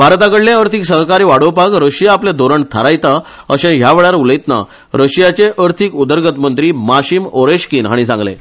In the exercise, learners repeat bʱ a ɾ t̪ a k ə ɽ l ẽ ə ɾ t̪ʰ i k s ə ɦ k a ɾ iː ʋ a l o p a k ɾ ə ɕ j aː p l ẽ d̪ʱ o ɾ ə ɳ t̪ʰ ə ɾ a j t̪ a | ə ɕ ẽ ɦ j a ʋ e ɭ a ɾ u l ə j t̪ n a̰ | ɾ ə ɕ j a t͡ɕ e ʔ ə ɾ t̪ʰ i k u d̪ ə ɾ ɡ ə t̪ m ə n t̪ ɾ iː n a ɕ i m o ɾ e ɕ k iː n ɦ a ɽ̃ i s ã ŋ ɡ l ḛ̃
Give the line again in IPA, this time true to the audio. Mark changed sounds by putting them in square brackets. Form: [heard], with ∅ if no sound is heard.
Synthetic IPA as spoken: bʱ a ɾ t̪ a k ə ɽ l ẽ ə ɾ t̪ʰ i k s ə ɦ k a ɾ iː ʋ a [ɽ] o p a k ɾ ə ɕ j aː p l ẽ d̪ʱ o ɾ ə ɳ t̪ʰ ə ɾ a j t̪ a | ə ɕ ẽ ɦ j a ʋ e ɭ a ɾ u l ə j t̪ n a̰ | ɾ ə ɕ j a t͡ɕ e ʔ ə ɾ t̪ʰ i k u d̪ ə ɾ ɡ ə t̪ m ə n t̪ ɾ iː [m] a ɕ i m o ɾ e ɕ k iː n ɦ a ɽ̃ i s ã ŋ ɡ l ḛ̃

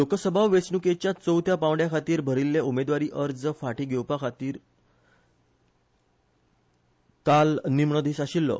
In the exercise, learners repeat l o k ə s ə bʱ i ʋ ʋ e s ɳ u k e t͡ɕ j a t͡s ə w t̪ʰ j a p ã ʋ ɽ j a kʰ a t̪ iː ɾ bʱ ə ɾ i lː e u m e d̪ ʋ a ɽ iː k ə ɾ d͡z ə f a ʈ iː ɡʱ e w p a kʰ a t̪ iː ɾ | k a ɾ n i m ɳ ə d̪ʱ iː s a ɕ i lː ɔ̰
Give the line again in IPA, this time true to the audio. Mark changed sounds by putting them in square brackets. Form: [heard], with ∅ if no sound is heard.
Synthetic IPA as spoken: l o k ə s ə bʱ [a] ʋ ʋ e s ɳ u k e t͡ɕ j a t͡s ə w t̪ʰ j a p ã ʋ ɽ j a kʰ a t̪ iː ɾ bʱ ə ɾ i lː e u m e d̪ ʋ a [ɾ] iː [ʔ] ə ɾ d͡z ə f a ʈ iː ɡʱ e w p a kʰ a t̪ iː ɾ | k a [l] n i m ɳ ə d̪ʱ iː s a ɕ i lː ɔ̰

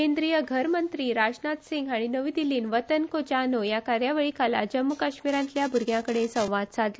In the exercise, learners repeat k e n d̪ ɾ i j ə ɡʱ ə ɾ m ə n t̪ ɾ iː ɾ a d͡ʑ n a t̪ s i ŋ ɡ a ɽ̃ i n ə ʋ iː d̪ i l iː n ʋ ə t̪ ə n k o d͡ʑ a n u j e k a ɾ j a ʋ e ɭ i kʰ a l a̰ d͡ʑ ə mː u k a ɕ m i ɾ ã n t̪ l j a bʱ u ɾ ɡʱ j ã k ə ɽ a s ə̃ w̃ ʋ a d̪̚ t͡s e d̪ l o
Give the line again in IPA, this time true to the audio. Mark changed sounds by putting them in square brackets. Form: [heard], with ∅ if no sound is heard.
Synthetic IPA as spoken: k e n d̪ ɾ i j ə ɡʱ ə ɾ m ə n t̪ ɾ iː ɾ a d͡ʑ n a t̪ s i ŋ ɡ a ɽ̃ i n ə ʋ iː d̪ i l iː n ʋ ə t̪ ə n k o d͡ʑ a n [o] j [a] k a ɾ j a ʋ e ɭ i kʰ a l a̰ d͡ʑ ə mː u k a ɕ m i ɾ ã n t̪ l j a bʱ u ɾ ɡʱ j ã k ə ɽ [e] s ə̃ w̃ ʋ a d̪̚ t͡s [a] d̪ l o

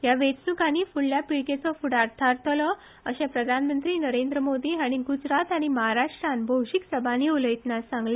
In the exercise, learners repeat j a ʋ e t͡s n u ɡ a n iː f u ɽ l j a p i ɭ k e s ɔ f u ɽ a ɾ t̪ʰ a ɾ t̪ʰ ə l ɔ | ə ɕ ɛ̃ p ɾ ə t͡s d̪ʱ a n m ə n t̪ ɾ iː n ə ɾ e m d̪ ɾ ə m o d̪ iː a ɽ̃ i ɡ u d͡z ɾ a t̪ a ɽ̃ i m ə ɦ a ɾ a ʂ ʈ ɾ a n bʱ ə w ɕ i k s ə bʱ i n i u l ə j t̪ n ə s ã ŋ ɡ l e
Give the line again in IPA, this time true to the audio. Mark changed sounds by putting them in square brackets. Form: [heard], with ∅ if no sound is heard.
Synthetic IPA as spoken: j a ʋ e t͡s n u [k] a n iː f u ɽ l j a p i ɭ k e [t͡s] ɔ f u ɽ a ɾ t̪ʰ a ɾ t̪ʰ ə l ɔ | ə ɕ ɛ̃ p ɾ ə [∅] d̪ʱ a n m ə n t̪ ɾ iː n ə ɾ e [n] d̪ ɾ ə m o d̪ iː a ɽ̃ i ɡ u d͡z ɾ a t̪ a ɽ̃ i m ə ɦ a ɾ a ʂ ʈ ɾ a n bʱ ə w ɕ i k s ə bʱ [a] n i u l ə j t̪ n [a] s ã ŋ ɡ l e

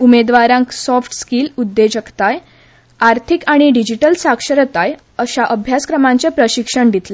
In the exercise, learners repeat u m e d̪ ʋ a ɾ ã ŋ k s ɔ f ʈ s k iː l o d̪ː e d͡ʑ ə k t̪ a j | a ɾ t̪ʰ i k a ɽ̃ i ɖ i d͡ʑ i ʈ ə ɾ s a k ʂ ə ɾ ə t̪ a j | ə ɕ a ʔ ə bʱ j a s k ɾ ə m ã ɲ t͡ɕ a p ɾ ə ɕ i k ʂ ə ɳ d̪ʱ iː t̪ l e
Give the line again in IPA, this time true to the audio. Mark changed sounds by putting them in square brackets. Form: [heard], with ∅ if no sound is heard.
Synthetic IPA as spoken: u m e d̪ ʋ a ɾ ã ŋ k s ɔ f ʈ s k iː l [u] d̪ː e d͡ʑ ə k t̪ a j | a ɾ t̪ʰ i k a ɽ̃ i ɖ i d͡ʑ i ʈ ə [l] s a k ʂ ə ɾ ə t̪ a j | ə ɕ a ʔ ə bʱ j a s k ɾ ə m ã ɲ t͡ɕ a p ɾ ə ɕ i k ʂ ə ɳ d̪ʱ [i] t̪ l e

